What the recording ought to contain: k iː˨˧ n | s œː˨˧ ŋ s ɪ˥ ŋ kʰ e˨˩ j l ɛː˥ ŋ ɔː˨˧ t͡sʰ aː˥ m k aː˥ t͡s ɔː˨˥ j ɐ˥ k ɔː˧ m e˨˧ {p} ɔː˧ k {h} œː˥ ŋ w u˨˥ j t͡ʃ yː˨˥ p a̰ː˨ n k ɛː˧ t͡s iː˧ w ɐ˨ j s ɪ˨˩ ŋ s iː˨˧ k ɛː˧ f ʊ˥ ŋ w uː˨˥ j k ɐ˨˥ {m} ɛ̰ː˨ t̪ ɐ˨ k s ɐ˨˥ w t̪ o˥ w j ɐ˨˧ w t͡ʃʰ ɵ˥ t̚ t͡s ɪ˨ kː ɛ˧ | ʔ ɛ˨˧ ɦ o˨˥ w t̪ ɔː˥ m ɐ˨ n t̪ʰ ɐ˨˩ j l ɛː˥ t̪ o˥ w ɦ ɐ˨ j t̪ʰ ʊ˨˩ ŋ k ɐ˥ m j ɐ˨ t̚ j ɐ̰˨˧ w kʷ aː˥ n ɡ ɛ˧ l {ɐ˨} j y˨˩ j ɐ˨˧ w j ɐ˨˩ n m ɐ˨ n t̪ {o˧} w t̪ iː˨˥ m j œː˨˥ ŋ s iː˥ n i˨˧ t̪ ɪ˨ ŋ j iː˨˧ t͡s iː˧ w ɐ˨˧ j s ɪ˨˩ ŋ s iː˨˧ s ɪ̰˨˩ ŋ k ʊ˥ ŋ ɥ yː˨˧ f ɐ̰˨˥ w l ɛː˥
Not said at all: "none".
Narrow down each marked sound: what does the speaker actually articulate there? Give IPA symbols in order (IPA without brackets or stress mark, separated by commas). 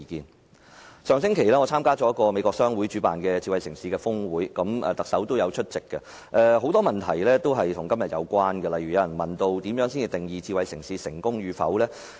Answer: k, s, m, ɐ˨, o˧